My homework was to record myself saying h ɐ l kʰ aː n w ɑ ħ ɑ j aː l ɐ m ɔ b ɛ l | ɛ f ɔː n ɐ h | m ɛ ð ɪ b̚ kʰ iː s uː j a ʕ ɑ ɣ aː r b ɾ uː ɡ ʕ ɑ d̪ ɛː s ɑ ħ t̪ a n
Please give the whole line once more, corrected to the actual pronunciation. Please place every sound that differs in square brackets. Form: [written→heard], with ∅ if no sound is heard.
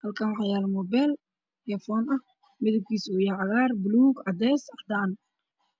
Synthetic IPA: h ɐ l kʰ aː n w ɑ ħ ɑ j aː l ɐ m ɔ b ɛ l | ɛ f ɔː n ɐ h | m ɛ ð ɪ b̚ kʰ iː s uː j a ʕ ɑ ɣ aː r b [ɾ→l] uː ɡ ʕ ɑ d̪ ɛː s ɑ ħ [t̪→d̪] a n